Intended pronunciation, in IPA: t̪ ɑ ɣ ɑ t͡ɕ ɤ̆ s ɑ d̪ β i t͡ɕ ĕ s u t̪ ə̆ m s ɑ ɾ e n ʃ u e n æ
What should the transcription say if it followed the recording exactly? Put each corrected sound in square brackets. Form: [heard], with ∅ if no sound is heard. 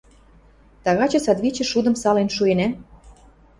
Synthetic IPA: t̪ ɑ ɣ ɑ t͡ɕ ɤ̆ s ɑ d̪ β i t͡ɕ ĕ [ʃ] u [d̪] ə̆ m s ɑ [l] e n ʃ u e n æ